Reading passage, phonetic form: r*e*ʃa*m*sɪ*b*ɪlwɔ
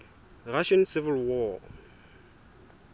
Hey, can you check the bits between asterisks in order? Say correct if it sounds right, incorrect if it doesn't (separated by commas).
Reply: incorrect, incorrect, incorrect